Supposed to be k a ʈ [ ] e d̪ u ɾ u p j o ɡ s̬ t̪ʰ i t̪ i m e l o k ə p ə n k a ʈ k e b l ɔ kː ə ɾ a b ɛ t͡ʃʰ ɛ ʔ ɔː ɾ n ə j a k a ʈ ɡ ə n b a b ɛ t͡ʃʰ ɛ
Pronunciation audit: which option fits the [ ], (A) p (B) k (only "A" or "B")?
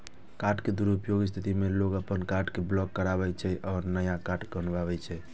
B